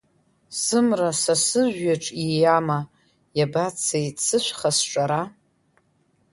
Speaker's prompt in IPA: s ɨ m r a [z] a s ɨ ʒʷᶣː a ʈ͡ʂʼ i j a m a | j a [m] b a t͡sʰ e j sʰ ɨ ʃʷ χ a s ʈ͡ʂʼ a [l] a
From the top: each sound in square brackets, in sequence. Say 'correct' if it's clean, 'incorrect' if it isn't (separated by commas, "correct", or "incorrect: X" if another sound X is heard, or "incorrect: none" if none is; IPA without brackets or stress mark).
incorrect: s, incorrect: none, incorrect: ɾ